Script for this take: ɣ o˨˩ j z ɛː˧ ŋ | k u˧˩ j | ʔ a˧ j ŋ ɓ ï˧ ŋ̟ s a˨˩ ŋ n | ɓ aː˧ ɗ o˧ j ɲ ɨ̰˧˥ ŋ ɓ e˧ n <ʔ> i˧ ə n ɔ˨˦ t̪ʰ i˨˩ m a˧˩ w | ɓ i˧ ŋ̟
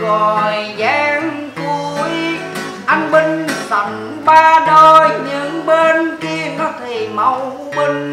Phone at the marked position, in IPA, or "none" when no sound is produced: k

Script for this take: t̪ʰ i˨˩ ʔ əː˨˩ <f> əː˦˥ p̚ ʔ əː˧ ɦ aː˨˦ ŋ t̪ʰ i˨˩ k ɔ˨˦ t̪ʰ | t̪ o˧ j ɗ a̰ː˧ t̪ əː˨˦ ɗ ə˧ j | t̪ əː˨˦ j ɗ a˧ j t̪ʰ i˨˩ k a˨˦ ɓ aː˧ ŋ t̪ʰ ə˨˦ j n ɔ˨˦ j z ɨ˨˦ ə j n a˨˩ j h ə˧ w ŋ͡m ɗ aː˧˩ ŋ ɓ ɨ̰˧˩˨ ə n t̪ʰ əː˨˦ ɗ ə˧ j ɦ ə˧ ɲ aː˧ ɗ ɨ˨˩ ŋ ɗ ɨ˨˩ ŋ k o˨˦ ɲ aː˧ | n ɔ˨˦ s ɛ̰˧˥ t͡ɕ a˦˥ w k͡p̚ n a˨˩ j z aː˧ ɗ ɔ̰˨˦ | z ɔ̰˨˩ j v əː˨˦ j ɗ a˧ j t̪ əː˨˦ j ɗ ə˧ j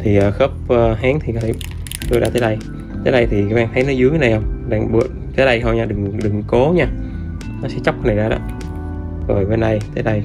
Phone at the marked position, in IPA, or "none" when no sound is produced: x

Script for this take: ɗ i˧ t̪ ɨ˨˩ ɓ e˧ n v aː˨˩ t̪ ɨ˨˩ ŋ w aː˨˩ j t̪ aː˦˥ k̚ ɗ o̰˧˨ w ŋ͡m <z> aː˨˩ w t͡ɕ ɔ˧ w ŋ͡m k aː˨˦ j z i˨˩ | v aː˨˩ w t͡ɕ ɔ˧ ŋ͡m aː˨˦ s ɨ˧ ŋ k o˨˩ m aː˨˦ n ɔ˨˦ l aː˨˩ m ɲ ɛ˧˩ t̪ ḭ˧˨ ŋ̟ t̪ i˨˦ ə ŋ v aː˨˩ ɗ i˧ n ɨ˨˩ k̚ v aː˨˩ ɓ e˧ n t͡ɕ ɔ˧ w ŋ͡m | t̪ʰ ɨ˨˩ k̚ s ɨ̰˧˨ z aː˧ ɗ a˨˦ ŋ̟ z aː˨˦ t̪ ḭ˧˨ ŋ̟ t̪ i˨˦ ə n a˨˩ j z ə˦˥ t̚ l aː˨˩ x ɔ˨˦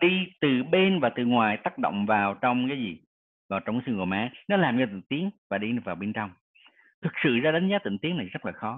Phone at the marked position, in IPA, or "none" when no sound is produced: v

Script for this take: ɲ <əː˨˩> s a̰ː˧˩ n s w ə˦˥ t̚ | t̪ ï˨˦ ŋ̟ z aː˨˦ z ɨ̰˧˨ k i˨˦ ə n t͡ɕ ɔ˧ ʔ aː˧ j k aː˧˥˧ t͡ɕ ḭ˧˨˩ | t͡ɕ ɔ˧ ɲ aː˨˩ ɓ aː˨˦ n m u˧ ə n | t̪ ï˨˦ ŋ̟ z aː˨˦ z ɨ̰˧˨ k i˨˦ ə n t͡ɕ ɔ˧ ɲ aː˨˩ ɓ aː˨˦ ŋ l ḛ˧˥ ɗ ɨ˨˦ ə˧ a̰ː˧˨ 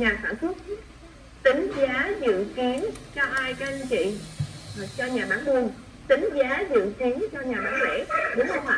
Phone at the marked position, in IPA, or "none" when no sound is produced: aː˨˩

